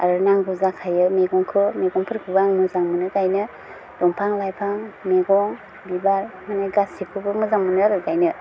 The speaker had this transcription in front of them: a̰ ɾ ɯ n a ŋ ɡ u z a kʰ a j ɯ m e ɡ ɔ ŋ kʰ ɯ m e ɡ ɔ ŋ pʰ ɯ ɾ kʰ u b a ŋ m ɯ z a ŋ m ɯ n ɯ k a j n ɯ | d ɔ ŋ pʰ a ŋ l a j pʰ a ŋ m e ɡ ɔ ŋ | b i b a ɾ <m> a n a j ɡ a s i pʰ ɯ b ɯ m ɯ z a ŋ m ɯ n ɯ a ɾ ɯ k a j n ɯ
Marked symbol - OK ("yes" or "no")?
yes